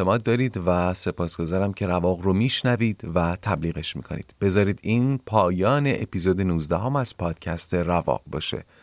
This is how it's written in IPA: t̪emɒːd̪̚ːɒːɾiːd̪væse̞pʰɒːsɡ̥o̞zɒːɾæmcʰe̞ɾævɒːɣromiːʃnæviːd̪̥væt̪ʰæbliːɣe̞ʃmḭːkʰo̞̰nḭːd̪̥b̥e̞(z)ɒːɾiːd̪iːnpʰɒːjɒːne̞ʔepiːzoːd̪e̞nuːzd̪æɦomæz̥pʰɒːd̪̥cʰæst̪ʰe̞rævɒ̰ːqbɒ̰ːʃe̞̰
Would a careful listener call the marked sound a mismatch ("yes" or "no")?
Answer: no